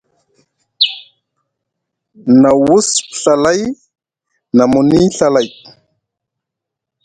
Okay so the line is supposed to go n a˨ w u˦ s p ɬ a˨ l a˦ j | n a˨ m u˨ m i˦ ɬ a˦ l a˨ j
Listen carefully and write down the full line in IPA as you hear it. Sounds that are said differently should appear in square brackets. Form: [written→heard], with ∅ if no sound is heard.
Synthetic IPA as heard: n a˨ w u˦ s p ɬ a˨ l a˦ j | n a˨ m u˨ [m→n] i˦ ɬ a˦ l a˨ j